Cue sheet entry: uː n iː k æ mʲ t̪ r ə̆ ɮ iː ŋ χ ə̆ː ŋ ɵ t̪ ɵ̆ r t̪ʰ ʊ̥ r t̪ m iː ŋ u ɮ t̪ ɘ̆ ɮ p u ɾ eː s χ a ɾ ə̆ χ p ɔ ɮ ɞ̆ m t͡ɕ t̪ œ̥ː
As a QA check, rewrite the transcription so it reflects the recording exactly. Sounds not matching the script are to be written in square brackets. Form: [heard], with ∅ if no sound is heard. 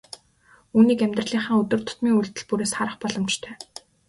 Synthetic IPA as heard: uː n iː k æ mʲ t̪ r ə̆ ɮ iː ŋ χ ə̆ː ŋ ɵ t̪ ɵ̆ r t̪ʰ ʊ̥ [∅] t̪ m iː ŋ u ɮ t̪ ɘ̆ ɮ p u ɾ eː s χ a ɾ ə̆ χ p ɔ ɮ ɞ̆ m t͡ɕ [t̪ʰ] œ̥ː